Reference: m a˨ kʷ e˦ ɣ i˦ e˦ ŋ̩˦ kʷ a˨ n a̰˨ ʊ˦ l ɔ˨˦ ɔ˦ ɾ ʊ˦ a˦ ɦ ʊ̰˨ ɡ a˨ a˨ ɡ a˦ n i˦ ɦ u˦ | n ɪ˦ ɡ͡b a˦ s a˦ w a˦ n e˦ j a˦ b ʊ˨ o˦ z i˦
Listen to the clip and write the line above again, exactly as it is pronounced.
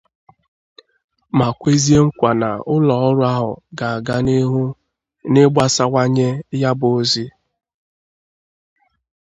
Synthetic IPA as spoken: m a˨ kʷ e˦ z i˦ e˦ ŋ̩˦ kʷ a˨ n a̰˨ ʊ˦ l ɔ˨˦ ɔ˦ ɾ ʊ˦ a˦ ɦ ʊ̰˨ ɡ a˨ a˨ ɡ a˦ n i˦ ɦ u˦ | n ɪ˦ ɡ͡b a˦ s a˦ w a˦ ɲ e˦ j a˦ b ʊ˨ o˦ z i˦